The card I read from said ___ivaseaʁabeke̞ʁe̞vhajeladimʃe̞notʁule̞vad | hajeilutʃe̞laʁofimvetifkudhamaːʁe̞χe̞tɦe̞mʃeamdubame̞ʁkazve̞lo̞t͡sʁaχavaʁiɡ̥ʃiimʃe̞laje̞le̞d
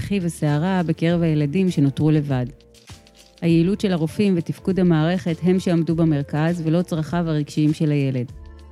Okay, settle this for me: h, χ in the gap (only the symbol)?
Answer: χ